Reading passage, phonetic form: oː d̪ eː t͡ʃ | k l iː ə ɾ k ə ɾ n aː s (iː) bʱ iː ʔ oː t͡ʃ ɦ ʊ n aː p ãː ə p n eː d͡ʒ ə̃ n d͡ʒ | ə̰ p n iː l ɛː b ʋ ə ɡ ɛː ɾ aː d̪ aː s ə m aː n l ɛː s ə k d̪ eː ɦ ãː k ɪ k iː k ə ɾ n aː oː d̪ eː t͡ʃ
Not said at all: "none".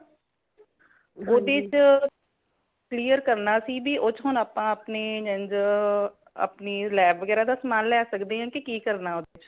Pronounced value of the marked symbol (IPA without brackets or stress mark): iː